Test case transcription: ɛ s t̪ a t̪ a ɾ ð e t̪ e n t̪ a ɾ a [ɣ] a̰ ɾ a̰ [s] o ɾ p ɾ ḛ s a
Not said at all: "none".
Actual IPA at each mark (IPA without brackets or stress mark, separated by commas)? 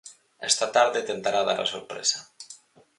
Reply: ð, s